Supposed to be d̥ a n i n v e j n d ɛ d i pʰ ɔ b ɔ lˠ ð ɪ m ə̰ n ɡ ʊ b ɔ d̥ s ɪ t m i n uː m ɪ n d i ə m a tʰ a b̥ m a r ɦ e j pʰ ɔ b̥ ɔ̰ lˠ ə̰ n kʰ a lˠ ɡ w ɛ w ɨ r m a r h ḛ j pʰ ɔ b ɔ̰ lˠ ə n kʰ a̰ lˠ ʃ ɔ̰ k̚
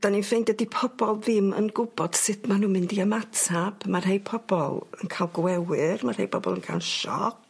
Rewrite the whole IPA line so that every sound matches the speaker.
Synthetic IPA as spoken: d̥ a n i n f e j n d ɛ d i pʰ ɔ b ɔ lˠ ð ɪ m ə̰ n ɡ ʊ b ɔ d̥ s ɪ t m a n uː m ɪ n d i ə m a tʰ a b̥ m a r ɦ e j pʰ ɔ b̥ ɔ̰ lˠ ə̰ n kʰ a lˠ ɡ w ɛ w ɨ r m a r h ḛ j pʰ ɔ b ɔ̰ lˠ ə n kʰ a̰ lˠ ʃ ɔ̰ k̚